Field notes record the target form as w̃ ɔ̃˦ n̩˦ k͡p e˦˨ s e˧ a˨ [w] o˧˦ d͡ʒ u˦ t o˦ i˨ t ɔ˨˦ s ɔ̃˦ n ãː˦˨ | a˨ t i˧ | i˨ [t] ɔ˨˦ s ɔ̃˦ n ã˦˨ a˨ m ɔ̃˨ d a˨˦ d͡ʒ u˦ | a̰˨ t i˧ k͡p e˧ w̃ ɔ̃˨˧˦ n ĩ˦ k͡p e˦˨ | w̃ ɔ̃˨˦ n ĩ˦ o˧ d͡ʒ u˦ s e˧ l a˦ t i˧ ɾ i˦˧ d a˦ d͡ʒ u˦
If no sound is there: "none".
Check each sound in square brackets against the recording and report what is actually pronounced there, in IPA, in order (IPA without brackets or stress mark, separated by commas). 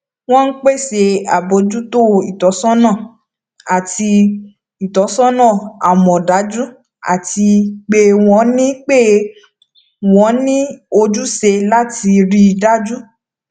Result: b, t